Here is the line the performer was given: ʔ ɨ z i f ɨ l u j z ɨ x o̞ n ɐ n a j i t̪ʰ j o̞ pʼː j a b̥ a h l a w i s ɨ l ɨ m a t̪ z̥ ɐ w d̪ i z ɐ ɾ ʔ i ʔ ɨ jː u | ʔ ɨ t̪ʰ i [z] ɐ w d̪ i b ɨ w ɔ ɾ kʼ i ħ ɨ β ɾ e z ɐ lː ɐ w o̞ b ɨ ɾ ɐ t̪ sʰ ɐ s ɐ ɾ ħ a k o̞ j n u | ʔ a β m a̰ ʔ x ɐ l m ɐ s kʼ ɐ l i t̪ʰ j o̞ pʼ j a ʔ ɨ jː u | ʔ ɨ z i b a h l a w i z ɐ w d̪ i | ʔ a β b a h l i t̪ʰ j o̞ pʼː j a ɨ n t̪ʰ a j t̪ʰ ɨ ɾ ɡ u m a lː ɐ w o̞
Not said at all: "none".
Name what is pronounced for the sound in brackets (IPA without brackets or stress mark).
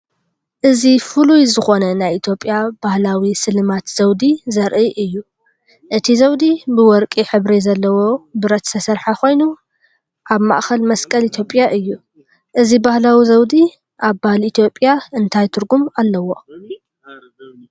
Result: z